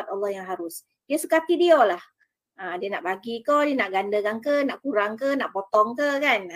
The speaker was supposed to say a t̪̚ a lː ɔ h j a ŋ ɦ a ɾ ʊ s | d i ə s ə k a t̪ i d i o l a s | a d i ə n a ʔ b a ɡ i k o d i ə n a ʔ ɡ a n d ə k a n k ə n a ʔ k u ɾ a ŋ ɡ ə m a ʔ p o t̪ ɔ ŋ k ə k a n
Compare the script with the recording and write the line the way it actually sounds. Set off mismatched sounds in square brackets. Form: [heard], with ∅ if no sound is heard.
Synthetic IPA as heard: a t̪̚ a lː ɔ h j a ŋ ɦ a ɾ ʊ s | d i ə s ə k a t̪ i d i o l a [h] | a d i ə n a ʔ b a ɡ i k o d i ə n a ʔ ɡ a n d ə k a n k ə n a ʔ k u ɾ a ŋ [k] ə [n] a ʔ p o t̪ ɔ ŋ k ə k a n